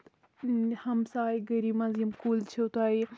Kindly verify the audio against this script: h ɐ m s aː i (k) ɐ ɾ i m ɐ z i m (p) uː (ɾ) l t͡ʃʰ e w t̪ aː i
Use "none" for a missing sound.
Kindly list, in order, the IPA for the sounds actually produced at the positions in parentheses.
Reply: ɡ, k, none

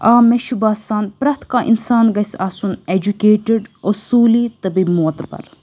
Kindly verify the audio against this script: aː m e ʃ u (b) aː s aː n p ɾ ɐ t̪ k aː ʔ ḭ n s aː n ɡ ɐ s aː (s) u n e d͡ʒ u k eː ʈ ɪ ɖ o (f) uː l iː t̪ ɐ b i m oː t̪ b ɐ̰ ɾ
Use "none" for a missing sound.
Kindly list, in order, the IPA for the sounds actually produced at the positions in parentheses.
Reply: b, s, s

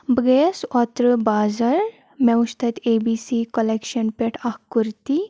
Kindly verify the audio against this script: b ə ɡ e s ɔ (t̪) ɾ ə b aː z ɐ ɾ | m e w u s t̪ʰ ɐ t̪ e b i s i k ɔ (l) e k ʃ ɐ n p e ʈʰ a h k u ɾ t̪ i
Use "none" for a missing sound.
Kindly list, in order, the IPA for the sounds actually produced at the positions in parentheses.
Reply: t̪, l

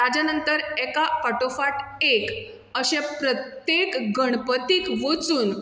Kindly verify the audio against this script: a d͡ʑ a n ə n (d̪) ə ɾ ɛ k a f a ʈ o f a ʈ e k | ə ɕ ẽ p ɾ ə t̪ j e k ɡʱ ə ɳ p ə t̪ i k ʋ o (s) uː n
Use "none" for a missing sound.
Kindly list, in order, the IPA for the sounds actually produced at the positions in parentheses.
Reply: t̪, t͡s

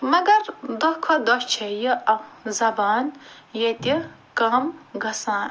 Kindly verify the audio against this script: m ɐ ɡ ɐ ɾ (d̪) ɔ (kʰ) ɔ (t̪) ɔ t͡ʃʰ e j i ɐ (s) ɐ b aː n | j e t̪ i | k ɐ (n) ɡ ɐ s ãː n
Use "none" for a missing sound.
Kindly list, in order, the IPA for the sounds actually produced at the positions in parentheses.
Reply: d̪, kʰ, d̪, z, m

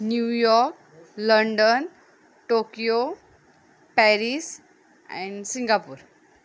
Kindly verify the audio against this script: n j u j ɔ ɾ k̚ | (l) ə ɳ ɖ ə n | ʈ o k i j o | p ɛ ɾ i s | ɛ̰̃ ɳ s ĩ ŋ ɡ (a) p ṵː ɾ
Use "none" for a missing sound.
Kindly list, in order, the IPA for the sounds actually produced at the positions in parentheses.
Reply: l, a

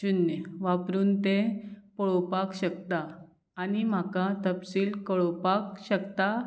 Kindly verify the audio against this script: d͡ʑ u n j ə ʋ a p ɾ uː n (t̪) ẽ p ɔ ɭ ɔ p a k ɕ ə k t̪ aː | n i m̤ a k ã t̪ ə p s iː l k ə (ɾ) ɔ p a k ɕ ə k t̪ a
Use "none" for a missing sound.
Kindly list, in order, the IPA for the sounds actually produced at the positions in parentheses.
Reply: t̪, ɭ

